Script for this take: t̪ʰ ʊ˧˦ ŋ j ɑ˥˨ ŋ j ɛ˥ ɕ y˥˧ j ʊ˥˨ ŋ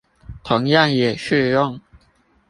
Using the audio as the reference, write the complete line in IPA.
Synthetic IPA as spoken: t̪ʰ ʊ˧˦ ŋ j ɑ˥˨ ŋ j ɛ˨˩ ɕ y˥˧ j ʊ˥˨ ŋ

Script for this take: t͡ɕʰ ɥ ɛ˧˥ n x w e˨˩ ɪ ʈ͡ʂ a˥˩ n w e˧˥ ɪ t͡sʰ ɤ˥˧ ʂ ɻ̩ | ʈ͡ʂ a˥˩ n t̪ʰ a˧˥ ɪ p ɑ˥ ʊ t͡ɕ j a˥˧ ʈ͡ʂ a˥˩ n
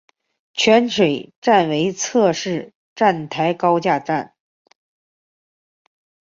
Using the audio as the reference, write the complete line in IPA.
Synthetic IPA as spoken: t͡ɕʰ ɥ ɛ˧˥ n ʂ w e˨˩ ɪ ʈ͡ʂ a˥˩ n w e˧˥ ɪ t͡sʰ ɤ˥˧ ʂ ɻ̩ | ʈ͡ʂ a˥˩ n t̪ʰ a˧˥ ɪ k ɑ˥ ʊ t͡ɕ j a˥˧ ʈ͡ʂ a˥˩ n

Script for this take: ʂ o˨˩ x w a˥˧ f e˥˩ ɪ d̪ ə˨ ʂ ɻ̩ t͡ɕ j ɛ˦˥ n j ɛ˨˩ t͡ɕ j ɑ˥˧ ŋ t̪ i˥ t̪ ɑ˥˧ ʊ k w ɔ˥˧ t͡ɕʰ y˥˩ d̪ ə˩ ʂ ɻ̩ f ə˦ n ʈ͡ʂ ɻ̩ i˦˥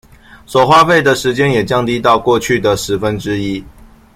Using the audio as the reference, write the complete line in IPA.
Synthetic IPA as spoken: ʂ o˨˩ x w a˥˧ f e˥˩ ɪ d̪ ə˨ ʂ ɻ̩ t͡ɕ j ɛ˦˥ n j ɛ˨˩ t͡ɕ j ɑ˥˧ ŋ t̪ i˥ t̪ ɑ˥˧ ʊ k w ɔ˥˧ t͡ɕʰ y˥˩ d̪ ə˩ ʂ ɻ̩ f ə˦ n ʈ͡ʂ ɻ̩ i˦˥

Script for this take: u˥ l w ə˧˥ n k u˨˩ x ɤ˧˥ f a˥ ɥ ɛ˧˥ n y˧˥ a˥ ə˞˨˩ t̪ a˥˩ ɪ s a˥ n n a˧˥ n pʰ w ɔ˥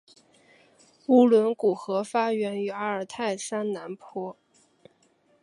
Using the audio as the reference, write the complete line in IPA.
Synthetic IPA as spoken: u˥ l w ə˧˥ n k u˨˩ x ɤ˧˥ f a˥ ɥ ɛ˧˥ n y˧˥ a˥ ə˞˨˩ t̪ʰ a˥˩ ɪ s a˥ n n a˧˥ n pʰ w ɔ˥

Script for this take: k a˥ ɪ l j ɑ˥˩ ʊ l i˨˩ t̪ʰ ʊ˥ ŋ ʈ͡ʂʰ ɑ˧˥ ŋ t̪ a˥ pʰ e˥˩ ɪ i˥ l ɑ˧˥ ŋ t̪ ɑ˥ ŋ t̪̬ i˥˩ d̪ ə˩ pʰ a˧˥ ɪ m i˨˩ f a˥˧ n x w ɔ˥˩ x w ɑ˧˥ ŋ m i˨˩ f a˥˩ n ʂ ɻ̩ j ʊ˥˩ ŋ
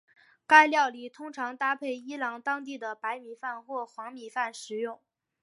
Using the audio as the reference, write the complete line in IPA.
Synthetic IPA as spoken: k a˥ ɪ l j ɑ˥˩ ʊ l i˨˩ t̪ʰ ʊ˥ ŋ ʈ͡ʂʰ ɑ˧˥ ŋ t̪ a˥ pʰ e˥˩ ɪ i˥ l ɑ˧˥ ŋ t̪ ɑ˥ ŋ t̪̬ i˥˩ d̪ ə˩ p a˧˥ ɪ m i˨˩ f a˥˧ n x w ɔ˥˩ x w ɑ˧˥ ŋ m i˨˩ f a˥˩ n ʂ ɻ̩ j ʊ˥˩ ŋ

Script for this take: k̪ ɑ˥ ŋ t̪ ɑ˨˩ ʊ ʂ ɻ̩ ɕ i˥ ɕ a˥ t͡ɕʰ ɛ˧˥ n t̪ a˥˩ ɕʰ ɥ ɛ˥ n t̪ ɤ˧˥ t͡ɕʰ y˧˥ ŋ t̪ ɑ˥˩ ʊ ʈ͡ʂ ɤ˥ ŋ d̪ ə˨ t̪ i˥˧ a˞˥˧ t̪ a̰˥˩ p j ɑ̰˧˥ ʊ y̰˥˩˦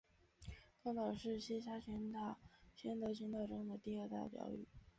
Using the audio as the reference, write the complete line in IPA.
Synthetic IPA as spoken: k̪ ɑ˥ ŋ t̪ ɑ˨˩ ʊ ʂ ɻ̩ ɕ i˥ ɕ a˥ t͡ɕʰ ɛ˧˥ n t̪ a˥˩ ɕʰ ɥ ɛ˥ n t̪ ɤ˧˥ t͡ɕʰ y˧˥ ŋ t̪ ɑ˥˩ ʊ ʈ͡ʂ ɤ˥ ŋ d̪ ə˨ t̪ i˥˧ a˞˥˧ t̪ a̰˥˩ p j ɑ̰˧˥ ʊ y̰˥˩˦

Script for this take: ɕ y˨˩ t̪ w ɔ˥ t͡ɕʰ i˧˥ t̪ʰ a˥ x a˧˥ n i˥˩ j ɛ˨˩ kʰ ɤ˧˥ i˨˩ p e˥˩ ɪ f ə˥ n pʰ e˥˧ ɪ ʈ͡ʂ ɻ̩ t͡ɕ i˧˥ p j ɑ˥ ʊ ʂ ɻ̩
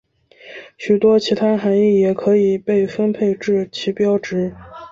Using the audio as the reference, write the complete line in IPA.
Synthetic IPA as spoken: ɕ y˨˩ t̪ w ɔ˥ t͡ɕʰ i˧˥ t̪ʰ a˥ x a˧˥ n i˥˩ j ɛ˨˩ kʰ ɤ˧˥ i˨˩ p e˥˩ ɪ f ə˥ n pʰ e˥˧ ɪ ʈ͡ʂ ɻ̩ t͡ɕʰ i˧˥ p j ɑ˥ ʊ ʈ͡ʂ ɻ̩

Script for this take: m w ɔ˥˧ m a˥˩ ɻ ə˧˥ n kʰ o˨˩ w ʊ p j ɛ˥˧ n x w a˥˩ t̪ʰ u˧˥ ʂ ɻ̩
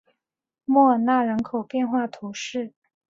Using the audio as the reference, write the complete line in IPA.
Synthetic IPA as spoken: m w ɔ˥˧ n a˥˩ ɻ ə˧˥ n kʰ o˨˩ ʊ p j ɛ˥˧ n x w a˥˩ t̪ʰ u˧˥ ʂ ɻ̩

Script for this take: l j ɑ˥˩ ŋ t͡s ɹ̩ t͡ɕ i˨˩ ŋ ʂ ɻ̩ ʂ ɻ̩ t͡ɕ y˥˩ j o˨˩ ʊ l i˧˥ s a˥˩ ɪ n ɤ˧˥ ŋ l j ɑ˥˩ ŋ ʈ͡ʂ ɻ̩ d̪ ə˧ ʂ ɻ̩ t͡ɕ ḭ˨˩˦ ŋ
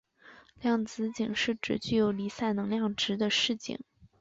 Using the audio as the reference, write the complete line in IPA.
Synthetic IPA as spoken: l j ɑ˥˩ ŋ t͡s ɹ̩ t͡ɕ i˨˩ ŋ ʂ ɻ̩ ʈ͡ʂ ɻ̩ t͡ɕ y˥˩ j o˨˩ ʊ l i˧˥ s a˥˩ ɪ n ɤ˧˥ ŋ l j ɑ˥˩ ŋ ʈ͡ʂ ɻ̩ d̪ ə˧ ʂ ɻ̩ t͡ɕ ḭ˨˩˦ ŋ

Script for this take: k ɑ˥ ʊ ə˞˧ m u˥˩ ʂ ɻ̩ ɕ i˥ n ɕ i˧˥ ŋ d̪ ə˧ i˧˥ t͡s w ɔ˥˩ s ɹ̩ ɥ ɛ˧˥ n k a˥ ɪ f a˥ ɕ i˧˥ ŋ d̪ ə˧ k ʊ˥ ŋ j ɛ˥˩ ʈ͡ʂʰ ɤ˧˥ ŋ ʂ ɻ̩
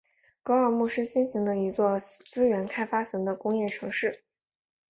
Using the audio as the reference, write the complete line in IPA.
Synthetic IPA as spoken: k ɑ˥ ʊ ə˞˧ m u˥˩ ʂ ɻ̩ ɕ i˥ n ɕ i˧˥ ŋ d̪ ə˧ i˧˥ t͡s w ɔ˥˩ t͡s ɹ̩ ɥ ɛ˧˥ n kʰ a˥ ɪ f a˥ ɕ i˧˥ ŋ d̪ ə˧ k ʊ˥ ŋ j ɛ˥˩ ʈ͡ʂʰ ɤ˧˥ ŋ ʂ ɻ̩

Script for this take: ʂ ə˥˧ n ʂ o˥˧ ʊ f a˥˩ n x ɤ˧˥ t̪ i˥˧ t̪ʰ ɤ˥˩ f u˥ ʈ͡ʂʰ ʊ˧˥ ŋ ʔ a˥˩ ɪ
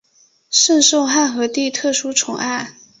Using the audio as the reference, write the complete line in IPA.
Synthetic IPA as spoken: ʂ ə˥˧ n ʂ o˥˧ ʊ x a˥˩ n x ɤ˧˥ t̪ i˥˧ t̪ʰ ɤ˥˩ ʂ u˥ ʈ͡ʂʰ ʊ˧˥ ŋ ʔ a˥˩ ɪ

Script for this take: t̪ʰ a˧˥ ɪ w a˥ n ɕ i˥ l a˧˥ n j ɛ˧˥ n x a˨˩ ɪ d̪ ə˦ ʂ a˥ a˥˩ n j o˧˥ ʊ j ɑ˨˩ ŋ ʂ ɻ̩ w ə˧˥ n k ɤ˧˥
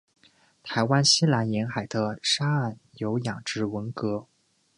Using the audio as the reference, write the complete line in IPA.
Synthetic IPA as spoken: t̪ʰ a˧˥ ɪ w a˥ n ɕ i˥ l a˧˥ n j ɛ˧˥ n x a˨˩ ɪ d̪ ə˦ ʂ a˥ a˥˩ n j o˧˥ ʊ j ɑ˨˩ ŋ ʈ͡ʂ ɻ̩ w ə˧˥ n k ɤ˧˥

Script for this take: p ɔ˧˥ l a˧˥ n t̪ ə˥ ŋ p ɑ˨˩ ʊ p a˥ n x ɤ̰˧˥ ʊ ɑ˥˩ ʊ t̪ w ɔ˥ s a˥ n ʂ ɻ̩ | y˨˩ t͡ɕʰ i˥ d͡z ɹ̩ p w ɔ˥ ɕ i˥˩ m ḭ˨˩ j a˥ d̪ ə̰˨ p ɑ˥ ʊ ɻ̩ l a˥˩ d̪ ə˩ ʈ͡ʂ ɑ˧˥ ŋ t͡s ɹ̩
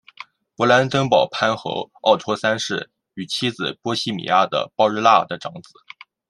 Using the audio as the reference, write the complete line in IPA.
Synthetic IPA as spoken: p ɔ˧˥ l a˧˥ n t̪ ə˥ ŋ p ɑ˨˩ ʊ pʰ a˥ n x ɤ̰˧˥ ʊ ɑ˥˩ ʊ t̪ʰ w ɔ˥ s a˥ n ʂ ɻ̩ | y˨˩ t͡ɕʰ i˥ d͡z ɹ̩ p w ɔ˥ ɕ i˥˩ m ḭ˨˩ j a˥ d̪ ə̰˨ p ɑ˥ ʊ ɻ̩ l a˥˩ d̪ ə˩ ʈ͡ʂ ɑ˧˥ ŋ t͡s ɹ̩

